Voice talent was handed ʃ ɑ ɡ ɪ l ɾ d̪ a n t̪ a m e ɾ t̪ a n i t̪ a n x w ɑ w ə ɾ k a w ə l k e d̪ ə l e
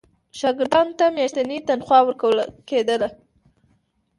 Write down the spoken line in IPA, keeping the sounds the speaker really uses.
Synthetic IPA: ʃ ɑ ɡ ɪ ɾ d̪ ɑ n t̪ a m e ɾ t̪ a n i t̪ a n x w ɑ w ə ɾ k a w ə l k e d̪ ə l a